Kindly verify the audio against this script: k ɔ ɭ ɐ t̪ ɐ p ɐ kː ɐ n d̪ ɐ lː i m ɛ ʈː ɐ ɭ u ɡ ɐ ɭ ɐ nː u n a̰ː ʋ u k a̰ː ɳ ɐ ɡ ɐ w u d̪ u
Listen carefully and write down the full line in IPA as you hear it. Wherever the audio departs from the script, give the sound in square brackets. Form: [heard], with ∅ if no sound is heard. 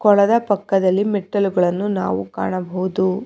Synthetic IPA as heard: k ɔ ɭ ɐ [d̪] ɐ p ɐ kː ɐ [∅] d̪ ɐ lː i m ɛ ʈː ɐ [l] u ɡ ɐ ɭ ɐ nː u n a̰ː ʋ u k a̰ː ɳ ɐ [b] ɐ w u d̪ u